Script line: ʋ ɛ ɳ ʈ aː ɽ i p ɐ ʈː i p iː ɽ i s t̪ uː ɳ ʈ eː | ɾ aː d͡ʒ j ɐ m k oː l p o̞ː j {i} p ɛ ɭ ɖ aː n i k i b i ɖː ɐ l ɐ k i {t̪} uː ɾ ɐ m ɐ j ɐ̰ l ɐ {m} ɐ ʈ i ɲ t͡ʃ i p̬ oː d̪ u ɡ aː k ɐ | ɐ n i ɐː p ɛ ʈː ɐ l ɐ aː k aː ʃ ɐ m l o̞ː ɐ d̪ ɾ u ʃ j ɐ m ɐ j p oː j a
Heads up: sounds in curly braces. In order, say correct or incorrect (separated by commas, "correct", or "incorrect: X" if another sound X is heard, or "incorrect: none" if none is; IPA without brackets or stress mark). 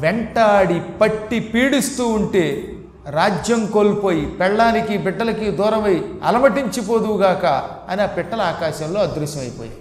correct, incorrect: d̪, correct